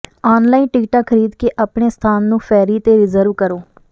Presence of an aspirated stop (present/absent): present